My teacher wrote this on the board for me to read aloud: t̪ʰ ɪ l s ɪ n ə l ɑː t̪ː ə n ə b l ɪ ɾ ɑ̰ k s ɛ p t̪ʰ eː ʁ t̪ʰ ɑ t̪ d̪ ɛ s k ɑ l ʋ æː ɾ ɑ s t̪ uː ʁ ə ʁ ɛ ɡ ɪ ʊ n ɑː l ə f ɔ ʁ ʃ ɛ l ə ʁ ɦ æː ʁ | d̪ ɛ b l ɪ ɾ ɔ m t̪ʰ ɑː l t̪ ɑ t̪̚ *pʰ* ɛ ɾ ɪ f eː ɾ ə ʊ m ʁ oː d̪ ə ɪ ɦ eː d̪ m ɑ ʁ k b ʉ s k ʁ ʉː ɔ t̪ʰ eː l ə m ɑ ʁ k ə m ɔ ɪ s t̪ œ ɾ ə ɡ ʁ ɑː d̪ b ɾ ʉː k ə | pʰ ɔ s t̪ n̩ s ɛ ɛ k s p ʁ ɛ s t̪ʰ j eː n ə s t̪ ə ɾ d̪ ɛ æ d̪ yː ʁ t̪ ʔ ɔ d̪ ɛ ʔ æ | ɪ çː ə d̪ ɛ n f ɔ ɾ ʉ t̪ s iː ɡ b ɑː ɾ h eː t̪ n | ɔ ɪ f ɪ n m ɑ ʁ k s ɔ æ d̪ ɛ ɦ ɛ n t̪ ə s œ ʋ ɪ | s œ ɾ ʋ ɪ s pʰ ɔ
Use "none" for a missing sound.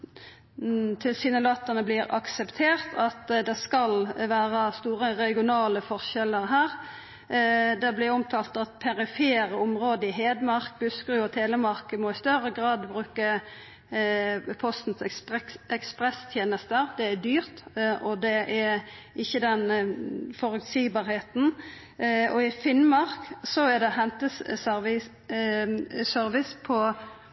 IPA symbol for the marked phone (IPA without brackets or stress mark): pʰ